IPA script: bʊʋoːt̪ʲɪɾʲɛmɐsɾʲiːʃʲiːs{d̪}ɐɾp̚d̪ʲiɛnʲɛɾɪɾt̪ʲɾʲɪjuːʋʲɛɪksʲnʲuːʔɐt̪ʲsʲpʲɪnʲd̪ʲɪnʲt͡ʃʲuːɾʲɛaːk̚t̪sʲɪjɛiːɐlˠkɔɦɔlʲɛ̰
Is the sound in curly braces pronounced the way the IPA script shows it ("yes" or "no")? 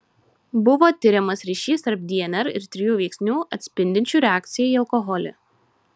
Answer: no